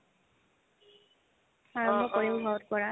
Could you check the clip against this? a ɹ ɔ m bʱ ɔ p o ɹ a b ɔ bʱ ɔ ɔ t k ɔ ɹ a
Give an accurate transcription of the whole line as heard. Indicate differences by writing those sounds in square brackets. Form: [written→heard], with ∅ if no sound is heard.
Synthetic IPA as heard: a ɹ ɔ m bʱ ɔ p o ɹ [a→i] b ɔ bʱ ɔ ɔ t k ɔ ɹ a